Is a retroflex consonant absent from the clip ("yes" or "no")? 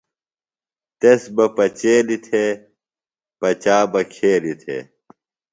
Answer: yes